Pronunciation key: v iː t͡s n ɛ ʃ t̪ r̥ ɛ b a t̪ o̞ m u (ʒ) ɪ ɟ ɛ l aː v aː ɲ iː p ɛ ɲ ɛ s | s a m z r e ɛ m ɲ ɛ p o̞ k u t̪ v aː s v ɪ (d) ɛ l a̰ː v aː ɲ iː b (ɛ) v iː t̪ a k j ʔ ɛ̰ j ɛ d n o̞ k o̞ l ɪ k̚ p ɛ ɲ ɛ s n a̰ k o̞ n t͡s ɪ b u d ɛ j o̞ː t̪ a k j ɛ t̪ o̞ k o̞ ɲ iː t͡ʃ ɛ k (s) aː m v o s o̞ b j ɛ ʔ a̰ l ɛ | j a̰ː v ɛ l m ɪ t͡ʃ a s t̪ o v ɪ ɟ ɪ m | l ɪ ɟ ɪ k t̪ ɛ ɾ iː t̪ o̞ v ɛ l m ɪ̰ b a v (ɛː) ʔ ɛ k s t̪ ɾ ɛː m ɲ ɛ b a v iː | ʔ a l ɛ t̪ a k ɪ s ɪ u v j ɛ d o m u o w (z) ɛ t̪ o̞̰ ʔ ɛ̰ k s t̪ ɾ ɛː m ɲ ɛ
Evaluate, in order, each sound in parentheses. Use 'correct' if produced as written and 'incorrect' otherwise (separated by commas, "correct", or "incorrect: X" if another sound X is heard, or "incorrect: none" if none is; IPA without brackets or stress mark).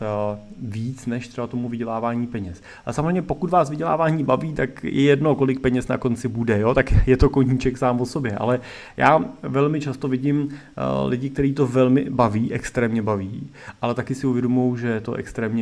incorrect: v, incorrect: ɟ, incorrect: a, correct, incorrect: iː, incorrect: ʒ